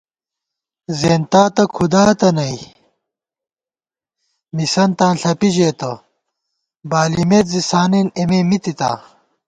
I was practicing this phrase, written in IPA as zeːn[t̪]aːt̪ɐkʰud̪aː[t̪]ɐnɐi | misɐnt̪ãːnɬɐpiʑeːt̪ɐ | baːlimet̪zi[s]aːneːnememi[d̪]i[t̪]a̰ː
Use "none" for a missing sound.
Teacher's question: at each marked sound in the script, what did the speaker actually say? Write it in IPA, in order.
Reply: t̪, t̪, s, t̪, t̪

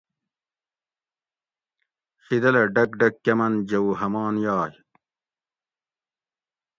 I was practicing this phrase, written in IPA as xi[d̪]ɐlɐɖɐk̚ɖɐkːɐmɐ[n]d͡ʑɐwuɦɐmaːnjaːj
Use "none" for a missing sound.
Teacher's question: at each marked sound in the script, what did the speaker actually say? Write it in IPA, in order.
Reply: d̪, n

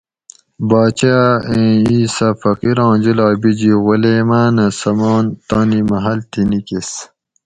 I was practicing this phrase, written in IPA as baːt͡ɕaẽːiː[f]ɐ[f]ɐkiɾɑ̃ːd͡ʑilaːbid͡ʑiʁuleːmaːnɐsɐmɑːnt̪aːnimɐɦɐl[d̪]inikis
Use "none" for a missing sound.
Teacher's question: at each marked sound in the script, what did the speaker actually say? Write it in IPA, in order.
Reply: s, f, t̪

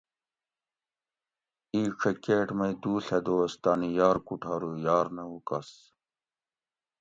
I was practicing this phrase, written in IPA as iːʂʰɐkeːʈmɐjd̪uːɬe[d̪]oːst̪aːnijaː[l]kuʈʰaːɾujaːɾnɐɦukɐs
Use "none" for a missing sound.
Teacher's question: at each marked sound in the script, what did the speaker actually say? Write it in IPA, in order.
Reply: d̪, ɾ

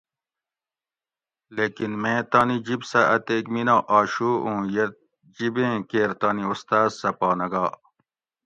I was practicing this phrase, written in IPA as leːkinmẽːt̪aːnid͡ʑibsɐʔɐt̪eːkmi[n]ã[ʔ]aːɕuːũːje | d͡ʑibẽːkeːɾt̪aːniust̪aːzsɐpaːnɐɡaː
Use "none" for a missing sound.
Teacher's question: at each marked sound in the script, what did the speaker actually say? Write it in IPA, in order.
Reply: n, ʔ

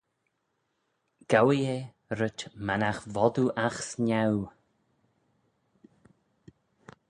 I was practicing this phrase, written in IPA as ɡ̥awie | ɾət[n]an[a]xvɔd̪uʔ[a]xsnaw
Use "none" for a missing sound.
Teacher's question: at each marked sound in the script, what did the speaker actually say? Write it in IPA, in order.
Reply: m, a, a

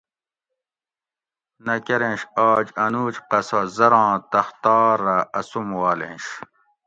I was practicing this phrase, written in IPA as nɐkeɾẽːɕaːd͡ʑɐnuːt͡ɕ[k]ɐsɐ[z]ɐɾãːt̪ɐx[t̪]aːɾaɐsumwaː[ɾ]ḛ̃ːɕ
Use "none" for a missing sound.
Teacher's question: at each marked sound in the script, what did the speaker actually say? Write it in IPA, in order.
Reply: q, z, t̪, l

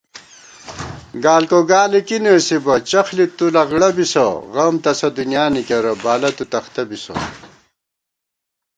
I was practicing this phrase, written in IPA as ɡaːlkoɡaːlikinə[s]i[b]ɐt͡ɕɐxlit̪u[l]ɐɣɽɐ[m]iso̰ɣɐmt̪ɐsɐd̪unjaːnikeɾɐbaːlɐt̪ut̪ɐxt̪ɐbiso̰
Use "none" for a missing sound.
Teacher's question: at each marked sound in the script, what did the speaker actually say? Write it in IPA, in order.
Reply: s, b, l, b

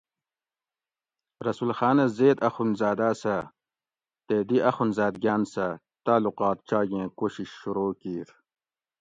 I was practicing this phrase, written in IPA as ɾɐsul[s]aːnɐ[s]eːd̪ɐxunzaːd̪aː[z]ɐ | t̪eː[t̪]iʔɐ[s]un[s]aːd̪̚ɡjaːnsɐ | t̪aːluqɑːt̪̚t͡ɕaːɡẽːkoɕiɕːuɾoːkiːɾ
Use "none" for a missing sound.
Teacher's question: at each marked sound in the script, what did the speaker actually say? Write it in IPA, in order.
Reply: x, z, s, d̪, x, z

